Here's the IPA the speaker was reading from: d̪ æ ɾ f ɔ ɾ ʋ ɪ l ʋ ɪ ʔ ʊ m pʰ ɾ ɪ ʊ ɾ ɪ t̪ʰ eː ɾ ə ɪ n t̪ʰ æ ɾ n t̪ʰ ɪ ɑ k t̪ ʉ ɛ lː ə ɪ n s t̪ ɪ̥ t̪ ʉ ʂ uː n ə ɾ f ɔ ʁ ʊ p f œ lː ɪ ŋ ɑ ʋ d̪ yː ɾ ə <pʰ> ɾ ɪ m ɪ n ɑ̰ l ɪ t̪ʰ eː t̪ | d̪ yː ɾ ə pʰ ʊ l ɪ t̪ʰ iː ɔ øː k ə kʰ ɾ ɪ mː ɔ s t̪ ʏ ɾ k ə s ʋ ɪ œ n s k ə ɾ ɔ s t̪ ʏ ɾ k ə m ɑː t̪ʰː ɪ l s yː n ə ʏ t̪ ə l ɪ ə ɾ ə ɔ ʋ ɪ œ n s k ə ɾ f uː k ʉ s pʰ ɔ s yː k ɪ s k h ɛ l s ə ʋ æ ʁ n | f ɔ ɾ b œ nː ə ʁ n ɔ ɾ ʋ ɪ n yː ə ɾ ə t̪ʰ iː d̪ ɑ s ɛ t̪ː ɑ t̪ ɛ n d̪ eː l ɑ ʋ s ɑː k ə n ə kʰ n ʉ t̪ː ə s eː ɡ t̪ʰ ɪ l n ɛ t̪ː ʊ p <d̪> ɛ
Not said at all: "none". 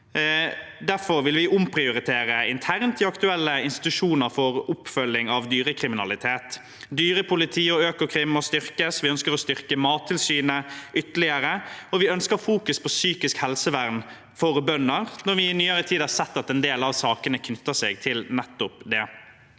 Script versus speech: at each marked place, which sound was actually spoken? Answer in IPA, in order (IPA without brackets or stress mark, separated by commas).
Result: kʰ, d̪